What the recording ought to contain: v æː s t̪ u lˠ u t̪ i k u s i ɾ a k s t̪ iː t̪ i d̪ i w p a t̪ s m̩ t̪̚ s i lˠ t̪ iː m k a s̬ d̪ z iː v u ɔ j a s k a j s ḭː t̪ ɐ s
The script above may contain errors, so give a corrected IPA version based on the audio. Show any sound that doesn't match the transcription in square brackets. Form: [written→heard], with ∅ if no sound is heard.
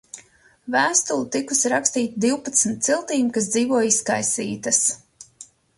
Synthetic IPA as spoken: v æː s t̪ u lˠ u t̪ i k u s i ɾ a k s t̪ iː t̪ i d̪ i w p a t̪ s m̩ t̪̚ s i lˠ t̪ iː m k a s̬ d̪ z iː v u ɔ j [a→i] s k a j s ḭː t̪ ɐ s